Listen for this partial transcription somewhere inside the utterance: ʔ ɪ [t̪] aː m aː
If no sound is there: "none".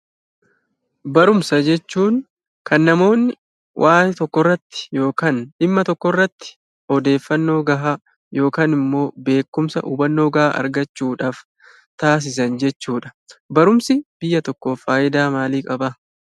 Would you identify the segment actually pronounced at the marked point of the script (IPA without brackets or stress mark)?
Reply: d̪